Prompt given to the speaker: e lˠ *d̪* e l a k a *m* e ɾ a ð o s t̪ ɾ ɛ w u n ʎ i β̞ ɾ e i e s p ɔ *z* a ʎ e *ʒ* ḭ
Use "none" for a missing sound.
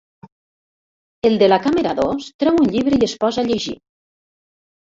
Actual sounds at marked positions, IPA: d̪, m, z, ʒ

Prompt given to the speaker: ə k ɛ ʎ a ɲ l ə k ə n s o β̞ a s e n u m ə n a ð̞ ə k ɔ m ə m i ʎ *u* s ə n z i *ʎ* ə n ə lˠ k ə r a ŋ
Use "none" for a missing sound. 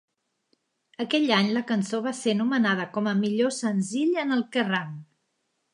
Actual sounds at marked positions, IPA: o, ʎ

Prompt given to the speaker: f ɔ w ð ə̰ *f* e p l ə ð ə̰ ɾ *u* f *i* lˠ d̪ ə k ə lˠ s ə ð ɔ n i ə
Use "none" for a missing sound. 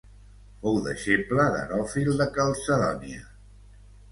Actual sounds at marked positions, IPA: ʃ, ɔ, i

